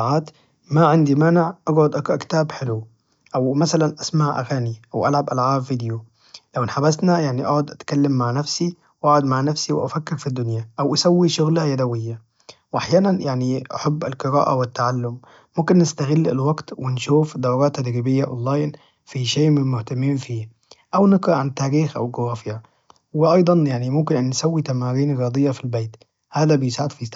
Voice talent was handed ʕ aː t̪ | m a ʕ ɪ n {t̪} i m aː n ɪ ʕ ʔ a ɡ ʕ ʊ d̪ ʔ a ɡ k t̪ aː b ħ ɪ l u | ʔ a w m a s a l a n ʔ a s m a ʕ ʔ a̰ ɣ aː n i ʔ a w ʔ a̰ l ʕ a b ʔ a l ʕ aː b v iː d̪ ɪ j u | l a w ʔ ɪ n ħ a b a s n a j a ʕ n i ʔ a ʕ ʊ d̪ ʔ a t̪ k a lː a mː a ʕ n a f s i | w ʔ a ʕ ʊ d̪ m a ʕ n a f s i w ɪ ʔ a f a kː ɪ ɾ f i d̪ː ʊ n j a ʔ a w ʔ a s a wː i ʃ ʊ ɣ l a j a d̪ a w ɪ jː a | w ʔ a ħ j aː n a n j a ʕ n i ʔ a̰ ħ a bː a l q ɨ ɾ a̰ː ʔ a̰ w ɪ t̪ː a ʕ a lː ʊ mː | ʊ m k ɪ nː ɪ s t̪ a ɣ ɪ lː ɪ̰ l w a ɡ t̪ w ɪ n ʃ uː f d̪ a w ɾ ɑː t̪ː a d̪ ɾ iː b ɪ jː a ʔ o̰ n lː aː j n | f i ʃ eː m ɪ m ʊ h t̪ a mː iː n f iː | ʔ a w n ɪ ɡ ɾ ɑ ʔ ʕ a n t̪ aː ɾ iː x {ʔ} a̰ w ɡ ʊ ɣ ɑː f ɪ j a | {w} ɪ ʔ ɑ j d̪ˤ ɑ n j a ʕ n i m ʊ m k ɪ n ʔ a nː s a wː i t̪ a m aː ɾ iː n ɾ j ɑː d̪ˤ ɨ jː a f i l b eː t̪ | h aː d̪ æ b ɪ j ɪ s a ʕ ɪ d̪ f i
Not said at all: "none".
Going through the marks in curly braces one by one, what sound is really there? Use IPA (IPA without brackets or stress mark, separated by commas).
d̪, ʔ, w